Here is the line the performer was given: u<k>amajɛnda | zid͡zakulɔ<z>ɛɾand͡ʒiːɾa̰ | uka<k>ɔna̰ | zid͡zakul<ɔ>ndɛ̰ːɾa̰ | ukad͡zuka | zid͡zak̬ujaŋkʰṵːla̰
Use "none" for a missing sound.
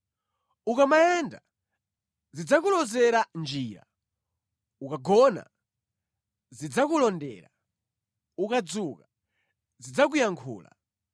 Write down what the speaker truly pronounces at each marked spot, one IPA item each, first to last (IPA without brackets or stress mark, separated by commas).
k, z, ɡ, ɔ